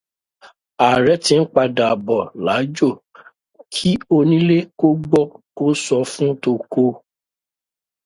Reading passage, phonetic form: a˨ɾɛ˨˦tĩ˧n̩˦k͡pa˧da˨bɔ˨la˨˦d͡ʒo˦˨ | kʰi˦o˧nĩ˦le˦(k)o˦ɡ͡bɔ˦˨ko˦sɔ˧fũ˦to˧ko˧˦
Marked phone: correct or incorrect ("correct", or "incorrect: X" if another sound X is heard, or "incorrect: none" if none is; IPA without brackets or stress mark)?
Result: correct